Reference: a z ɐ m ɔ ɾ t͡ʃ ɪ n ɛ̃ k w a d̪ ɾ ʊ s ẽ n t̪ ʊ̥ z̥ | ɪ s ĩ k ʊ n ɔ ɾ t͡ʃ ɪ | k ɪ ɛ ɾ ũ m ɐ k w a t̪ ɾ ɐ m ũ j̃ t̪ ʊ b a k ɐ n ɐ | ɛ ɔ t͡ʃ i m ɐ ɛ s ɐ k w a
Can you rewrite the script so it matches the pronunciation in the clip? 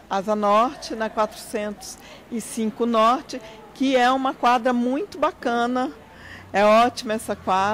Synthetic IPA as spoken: a z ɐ n ɔ ɾ t͡ʃ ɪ n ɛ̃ k w a t̪ ɾ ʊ s ẽ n t̪ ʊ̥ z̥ | ɪ s ĩ k ʊ n ɔ ɾ t͡ʃ ɪ | k ɪ ɛ ũ m ɐ k w a d̪ ɾ ɐ m ũ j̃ t̪ ʊ b a k ɐ̃ n ɐ | ɛ ɔ t͡ʃ i m ɐ ɛ s ɐ k w a